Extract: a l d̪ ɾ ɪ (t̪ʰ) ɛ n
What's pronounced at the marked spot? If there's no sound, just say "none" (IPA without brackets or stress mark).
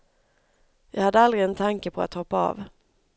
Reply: none